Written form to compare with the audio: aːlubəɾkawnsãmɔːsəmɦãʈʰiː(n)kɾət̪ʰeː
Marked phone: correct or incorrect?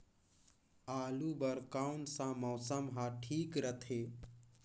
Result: incorrect: none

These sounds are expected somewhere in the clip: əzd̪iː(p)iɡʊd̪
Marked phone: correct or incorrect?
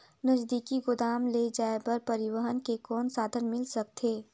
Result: incorrect: k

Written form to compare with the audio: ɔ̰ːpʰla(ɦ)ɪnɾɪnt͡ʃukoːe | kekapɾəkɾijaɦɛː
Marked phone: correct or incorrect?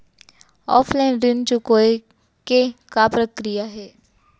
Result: incorrect: none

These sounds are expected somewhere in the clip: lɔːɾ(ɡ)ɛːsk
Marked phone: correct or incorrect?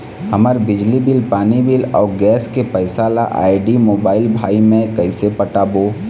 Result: correct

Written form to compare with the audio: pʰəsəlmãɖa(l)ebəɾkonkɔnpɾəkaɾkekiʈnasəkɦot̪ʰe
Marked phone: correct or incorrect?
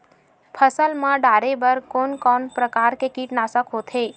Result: incorrect: ɾ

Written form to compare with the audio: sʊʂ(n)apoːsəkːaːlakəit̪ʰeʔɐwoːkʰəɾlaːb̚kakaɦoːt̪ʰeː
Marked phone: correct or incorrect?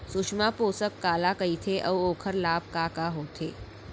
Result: incorrect: m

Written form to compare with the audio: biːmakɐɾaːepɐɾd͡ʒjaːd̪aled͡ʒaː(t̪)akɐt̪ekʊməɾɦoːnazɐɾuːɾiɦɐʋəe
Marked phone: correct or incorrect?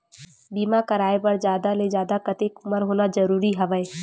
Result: incorrect: d̪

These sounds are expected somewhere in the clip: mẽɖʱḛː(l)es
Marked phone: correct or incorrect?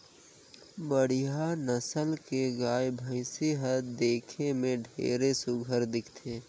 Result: incorrect: ɾ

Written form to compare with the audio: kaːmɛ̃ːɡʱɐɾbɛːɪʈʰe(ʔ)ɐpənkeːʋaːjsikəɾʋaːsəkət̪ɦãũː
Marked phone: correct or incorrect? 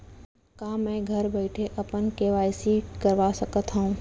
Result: correct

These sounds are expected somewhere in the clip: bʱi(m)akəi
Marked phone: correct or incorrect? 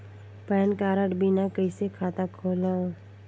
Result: incorrect: n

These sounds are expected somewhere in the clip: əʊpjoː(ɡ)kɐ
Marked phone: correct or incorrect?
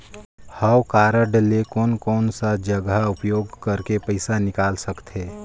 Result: correct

